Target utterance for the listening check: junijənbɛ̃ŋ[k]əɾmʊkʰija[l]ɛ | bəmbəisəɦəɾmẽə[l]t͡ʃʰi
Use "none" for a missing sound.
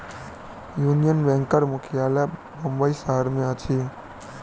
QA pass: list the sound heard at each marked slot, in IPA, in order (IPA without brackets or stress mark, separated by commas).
k, l, none